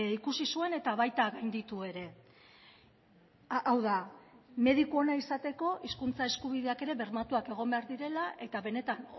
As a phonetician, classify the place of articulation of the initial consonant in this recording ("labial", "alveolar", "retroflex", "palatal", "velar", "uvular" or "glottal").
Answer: velar